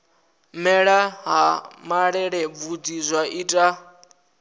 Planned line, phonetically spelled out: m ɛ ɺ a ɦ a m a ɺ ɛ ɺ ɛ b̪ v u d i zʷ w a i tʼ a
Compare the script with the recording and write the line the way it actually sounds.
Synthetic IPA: m ɛ ɺ a ɦ a m a ɺ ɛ ɺ ɛ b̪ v u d i zʷ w a i tʼ a